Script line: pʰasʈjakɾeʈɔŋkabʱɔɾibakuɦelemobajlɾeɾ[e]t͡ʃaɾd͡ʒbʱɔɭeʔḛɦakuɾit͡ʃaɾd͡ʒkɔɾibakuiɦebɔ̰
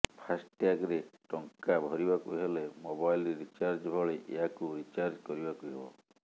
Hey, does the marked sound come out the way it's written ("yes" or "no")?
no